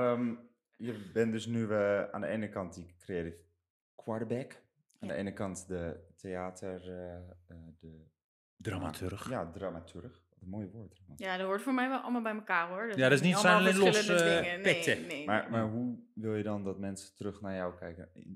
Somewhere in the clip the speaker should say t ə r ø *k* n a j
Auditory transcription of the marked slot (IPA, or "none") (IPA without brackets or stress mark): x